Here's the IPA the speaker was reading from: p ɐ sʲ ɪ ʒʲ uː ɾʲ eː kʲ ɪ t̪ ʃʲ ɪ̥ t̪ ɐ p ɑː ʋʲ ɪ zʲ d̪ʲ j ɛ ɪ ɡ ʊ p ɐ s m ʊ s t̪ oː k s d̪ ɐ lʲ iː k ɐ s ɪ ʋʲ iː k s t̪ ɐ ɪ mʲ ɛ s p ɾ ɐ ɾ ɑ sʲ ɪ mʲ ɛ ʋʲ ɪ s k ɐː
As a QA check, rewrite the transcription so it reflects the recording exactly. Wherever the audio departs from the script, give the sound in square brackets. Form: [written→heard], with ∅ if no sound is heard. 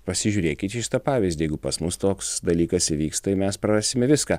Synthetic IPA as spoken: p ɐ sʲ ɪ ʒʲ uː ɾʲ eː kʲ ɪ t̪ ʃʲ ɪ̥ t̪ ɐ p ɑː ʋʲ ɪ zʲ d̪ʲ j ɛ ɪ ɡ ʊ p ɐ s m ʊ s t̪ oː k s d̪ ɐ lʲ iː k ɐ s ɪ ʋʲ iː k s t̪ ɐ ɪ mʲ ɛ s p ɾ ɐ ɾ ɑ sʲ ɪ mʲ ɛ ʋʲ ɪ s k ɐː

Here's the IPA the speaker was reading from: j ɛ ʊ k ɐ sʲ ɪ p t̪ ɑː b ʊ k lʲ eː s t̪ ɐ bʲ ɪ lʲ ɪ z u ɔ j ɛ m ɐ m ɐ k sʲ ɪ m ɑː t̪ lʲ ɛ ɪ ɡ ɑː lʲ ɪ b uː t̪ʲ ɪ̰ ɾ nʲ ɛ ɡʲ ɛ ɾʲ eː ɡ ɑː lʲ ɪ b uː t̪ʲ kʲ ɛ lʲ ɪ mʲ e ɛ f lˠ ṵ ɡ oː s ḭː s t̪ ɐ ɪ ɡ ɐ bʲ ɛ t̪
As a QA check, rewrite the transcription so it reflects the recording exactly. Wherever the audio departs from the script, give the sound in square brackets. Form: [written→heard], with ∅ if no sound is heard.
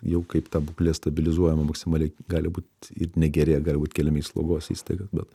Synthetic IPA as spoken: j ɛ ʊ k ɐ [sʲ→∅] ɪ p t̪ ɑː b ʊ k lʲ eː s t̪ ɐ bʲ ɪ lʲ ɪ z u ɔ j ɛ m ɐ m ɐ k sʲ ɪ m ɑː [t̪→∅] lʲ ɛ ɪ ɡ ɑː lʲ ɪ b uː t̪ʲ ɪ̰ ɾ nʲ ɛ ɡʲ ɛ ɾʲ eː ɡ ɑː lʲ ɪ b uː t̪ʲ kʲ ɛ lʲ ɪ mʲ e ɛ [f→s] lˠ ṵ ɡ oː s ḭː s t̪ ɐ ɪ ɡ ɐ bʲ ɛ t̪

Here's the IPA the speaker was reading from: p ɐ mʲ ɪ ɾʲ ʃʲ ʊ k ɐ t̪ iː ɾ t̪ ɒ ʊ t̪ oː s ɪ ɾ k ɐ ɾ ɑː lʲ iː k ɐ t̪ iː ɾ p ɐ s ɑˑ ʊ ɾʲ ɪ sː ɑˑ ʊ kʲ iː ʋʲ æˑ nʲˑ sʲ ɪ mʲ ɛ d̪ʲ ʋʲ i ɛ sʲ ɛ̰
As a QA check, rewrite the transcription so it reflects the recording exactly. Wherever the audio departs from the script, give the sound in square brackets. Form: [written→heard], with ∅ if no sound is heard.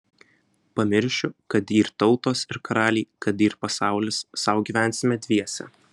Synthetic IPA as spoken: p ɐ mʲ ɪ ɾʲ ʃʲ ʊ k ɐ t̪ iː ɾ t̪ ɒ ʊ t̪ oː s ɪ ɾ k ɐ ɾ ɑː lʲ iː k ɐ t̪ iː ɾ p ɐ s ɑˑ ʊ [ɾʲ→lʲ] ɪ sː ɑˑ ʊ [kʲ→ɡʲ] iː ʋʲ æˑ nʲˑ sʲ ɪ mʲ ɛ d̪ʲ ʋʲ i ɛ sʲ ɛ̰

